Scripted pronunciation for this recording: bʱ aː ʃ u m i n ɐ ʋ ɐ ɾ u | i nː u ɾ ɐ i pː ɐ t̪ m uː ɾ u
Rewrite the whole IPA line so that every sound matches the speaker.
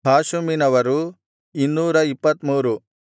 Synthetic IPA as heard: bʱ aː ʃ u m i n ɐ ʋ ɐ ɾ u | i nː uː ɾ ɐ i pː ɐ t̪ m uː ɾ u